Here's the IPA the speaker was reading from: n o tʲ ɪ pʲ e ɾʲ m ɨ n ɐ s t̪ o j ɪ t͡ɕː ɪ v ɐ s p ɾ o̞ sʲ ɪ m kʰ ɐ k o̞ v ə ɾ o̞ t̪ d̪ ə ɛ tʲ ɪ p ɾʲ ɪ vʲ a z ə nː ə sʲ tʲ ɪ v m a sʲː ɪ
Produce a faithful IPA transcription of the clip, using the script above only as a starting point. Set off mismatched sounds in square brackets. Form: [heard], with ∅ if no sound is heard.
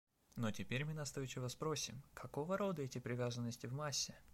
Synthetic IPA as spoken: n o tʲ ɪ pʲ e ɾʲ m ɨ n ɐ s t̪ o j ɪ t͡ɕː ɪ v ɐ s p ɾ o̞ sʲ ɪ m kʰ ɐ k o̞ v ə ɾ o̞ [∅] d̪ ə ɛ tʲ ɪ p ɾʲ ɪ vʲ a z ə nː ə sʲ tʲ ɪ v m a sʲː ɪ